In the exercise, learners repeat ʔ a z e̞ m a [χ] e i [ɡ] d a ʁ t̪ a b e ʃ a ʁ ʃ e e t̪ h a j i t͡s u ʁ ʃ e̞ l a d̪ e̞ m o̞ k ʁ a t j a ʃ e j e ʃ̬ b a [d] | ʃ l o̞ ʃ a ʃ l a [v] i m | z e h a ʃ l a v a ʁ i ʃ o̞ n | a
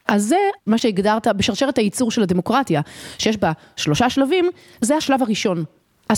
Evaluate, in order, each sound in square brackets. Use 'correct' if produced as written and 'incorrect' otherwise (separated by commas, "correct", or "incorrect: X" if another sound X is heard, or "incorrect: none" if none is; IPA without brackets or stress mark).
incorrect: ʃ, correct, incorrect: none, correct